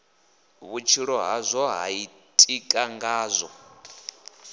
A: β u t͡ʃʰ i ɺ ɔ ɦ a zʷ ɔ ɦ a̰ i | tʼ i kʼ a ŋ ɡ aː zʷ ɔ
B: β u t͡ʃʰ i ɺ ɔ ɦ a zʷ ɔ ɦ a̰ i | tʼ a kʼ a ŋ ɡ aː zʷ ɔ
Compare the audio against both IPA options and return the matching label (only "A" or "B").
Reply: A